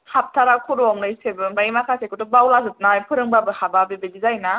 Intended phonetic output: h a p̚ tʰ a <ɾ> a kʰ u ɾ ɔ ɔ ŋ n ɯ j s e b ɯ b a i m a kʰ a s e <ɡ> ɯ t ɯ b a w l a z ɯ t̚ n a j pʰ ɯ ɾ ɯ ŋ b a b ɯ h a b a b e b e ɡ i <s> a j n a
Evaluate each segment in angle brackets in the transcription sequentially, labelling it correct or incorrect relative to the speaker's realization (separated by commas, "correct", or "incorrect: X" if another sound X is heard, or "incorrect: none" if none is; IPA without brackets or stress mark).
correct, incorrect: k, incorrect: z